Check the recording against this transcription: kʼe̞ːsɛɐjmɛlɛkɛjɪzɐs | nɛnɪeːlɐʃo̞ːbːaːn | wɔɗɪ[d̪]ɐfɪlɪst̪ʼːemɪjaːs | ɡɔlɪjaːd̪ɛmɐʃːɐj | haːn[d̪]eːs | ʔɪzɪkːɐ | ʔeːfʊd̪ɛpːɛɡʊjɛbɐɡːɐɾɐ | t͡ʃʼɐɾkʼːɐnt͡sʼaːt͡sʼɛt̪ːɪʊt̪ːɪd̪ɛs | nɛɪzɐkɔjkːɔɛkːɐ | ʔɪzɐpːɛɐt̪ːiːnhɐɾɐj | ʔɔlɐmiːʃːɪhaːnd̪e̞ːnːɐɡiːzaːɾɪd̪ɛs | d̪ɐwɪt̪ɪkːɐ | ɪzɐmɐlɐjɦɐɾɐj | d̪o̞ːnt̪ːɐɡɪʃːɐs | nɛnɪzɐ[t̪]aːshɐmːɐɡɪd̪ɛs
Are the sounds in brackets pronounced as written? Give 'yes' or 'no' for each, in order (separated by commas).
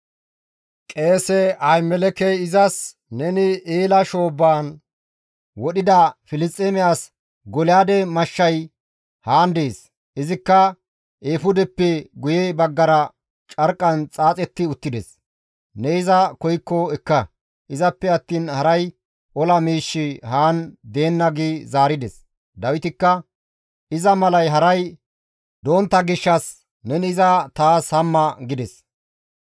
yes, yes, yes